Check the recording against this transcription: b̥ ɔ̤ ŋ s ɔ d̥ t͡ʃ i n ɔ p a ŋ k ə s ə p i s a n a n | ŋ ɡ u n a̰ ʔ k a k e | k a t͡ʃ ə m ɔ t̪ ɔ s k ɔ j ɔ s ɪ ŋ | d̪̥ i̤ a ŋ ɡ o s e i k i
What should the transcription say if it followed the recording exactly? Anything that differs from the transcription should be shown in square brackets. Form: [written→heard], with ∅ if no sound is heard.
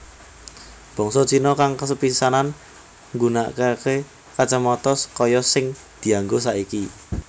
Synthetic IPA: b̥ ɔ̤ ŋ s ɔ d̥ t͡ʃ i n ɔ [p→k] a ŋ k ə s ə p i s a n a n | ŋ ɡ u n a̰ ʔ k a k e | k a t͡ʃ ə m ɔ t̪ ɔ s k ɔ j ɔ s ɪ ŋ | d̪̥ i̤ a ŋ ɡ o s [e→a] i k i